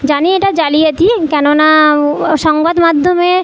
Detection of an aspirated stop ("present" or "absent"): absent